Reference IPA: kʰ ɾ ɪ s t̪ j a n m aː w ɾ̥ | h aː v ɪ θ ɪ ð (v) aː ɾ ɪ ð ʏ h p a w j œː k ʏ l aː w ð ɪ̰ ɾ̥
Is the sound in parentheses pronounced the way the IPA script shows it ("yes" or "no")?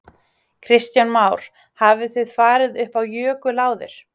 no